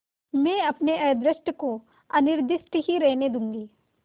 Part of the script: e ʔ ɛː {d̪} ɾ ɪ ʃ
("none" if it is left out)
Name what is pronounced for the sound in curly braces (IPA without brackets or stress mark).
d̪